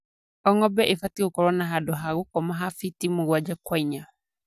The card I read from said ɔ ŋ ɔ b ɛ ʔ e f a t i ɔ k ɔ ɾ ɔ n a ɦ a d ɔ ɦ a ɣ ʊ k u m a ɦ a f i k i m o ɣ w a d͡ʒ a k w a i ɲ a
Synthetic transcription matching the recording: ɔ ŋ ɔ b ɛ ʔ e f a t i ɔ k ɔ ɾ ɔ n a ɦ a d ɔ ɦ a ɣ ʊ k ɔ m a ɦ a f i t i m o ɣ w a d͡ʒ a k w a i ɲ a